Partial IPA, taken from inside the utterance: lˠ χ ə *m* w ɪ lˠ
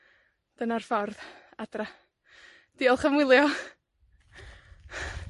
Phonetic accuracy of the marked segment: correct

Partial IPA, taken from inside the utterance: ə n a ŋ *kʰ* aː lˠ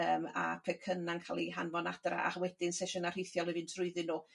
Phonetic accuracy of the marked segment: correct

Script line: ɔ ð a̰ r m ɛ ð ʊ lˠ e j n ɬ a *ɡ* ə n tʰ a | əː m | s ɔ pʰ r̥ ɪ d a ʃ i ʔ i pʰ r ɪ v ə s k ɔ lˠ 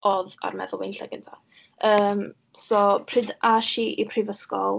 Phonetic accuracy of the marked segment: correct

